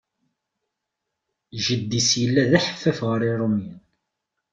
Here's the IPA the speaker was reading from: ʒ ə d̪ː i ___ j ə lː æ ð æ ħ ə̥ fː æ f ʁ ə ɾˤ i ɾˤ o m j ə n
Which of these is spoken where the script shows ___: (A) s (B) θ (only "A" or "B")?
A